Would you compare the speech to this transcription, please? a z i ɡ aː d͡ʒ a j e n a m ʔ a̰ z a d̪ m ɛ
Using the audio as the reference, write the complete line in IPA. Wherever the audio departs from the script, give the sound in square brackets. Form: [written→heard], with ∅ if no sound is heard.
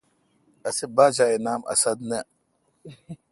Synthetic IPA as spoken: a [z→s] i [ɡ→b] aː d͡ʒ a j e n a m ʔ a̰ [z→s] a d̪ [m→n] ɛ